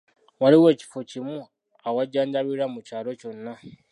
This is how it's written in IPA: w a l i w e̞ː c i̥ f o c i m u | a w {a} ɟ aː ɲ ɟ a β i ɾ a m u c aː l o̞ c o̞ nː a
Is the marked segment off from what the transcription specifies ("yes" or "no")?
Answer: no